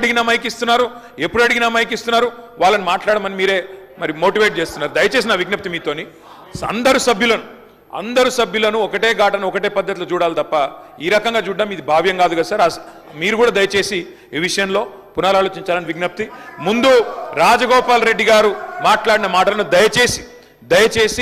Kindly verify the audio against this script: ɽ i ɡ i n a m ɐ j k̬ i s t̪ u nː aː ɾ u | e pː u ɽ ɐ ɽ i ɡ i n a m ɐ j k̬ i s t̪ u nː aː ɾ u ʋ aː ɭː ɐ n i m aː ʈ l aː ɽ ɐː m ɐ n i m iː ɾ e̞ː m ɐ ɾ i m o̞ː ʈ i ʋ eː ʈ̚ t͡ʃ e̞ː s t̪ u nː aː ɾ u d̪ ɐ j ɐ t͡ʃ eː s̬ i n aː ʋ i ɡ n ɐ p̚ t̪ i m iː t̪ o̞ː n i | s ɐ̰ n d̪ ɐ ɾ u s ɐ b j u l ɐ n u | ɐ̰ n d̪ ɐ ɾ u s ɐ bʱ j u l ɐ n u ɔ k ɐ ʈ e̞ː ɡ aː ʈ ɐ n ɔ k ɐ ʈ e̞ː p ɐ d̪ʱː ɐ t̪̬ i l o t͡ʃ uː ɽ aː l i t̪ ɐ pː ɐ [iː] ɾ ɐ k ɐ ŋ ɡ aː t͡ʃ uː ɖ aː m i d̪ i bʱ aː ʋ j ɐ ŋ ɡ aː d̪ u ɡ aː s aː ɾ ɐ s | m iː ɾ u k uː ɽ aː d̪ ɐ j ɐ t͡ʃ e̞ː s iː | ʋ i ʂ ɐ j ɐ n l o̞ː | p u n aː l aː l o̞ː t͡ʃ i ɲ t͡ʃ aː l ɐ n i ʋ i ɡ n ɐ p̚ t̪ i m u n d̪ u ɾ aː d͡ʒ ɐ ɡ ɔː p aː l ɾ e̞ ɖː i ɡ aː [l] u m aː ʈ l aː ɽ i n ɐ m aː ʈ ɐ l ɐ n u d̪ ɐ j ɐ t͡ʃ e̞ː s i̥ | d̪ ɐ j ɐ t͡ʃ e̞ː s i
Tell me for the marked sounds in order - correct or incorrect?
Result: correct, incorrect: ɾ

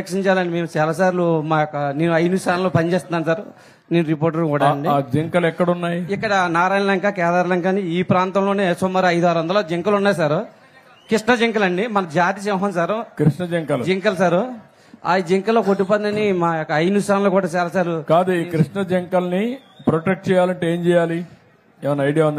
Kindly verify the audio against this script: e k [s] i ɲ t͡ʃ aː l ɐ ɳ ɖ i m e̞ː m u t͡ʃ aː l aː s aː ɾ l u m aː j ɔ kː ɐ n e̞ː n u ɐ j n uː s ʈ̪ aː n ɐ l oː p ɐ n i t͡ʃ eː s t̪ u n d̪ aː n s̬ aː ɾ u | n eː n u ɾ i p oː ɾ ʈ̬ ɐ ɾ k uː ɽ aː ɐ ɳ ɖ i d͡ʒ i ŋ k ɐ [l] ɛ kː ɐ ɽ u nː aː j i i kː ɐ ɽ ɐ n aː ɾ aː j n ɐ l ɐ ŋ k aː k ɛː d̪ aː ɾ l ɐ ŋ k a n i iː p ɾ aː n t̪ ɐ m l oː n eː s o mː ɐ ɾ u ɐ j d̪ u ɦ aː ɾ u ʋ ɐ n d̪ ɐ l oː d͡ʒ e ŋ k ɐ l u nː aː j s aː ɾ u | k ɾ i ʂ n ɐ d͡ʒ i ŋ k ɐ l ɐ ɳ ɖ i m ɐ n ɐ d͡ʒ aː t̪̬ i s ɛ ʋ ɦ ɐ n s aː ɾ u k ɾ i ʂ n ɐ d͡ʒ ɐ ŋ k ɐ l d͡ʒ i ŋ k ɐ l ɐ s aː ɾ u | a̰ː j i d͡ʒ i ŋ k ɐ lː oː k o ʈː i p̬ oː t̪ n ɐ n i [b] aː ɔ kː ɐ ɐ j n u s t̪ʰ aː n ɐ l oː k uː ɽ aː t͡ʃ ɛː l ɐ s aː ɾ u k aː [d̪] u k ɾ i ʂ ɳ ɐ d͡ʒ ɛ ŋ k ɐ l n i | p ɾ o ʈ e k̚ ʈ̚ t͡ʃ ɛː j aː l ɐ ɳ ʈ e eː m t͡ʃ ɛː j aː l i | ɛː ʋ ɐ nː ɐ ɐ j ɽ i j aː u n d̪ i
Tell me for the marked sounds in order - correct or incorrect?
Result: incorrect: ʂ, correct, incorrect: m, correct

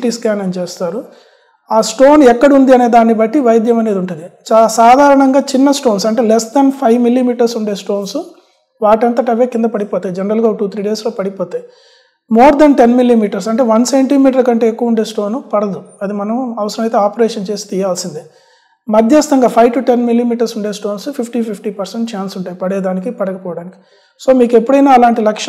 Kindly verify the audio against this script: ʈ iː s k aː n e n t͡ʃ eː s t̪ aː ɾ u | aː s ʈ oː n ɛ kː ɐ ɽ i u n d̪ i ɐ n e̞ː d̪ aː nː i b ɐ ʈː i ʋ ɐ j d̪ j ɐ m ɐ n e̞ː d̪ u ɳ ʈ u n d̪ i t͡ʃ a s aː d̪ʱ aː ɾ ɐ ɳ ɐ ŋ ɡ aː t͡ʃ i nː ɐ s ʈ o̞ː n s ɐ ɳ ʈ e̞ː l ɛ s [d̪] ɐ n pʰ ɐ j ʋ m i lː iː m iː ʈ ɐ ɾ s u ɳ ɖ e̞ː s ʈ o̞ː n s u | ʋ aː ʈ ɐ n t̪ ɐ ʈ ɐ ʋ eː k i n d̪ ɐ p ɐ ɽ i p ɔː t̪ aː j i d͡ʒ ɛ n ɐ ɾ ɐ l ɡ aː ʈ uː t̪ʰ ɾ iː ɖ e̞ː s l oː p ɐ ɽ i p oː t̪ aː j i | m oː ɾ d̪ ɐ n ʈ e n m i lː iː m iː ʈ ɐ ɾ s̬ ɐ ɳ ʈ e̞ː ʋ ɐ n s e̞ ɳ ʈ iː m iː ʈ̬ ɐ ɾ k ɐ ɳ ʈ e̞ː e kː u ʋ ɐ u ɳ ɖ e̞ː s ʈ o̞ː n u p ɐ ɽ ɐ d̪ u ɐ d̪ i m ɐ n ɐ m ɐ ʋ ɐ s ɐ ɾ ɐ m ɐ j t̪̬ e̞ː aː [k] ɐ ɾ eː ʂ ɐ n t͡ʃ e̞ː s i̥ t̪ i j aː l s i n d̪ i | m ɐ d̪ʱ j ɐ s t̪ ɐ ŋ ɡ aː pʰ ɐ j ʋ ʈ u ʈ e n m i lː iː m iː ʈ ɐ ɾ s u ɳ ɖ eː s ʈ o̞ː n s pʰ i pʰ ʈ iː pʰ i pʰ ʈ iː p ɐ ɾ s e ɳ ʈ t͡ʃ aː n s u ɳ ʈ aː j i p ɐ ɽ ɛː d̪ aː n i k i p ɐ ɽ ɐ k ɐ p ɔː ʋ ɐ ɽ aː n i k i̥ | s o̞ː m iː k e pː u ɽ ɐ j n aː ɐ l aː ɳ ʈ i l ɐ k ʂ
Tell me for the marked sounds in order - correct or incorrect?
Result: correct, incorrect: p

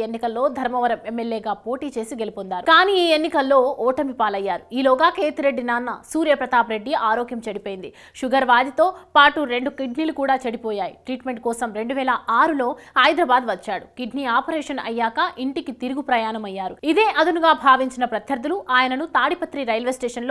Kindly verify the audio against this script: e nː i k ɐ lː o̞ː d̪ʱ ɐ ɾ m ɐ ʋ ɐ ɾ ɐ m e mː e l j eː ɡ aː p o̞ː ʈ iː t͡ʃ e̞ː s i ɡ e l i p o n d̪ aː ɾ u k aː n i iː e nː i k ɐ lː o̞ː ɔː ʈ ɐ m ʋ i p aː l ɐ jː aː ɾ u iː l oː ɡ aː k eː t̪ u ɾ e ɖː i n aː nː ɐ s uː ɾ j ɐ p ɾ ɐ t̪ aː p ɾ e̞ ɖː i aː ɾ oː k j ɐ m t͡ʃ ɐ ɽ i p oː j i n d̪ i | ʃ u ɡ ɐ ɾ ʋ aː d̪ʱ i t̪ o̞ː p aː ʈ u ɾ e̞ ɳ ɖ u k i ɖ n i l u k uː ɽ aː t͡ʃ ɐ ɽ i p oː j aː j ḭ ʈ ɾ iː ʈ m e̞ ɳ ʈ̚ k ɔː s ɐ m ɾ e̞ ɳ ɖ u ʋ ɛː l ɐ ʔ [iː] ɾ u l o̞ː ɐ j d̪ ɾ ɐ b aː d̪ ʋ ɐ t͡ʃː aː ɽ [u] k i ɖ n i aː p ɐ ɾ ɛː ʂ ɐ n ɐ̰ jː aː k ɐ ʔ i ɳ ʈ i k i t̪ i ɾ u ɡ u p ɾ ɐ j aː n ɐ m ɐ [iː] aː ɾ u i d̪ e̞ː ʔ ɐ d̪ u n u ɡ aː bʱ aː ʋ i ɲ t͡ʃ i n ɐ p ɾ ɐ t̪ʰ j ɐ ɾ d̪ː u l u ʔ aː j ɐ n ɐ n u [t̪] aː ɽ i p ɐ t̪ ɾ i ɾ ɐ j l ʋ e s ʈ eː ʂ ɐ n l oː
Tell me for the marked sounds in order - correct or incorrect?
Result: incorrect: aː, correct, incorrect: jː, correct

